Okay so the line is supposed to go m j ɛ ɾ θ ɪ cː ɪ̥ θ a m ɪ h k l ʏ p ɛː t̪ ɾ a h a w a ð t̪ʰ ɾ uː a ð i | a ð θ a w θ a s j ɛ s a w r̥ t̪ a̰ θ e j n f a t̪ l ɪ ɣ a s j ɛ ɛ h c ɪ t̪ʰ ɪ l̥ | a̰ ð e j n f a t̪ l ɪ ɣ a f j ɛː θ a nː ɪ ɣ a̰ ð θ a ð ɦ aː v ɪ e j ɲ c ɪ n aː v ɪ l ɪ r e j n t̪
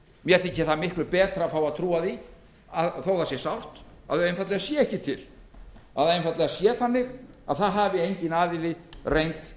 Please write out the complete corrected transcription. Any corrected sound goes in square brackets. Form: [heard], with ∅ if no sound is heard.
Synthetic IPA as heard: m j ɛ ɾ θ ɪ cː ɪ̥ θ a m ɪ h k l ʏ p ɛː t̪ ɾ a [f] a w a ð t̪ʰ ɾ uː a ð i | a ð θ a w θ a s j ɛ s a w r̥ t̪ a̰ [ð] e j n f a t̪ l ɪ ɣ a s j ɛ ɛ h c ɪ t̪ʰ ɪ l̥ | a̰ ð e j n f a t̪ l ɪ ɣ a [s] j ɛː θ a nː ɪ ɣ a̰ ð θ a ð ɦ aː v ɪ e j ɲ c ɪ n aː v ɪ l ɪ r e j n t̪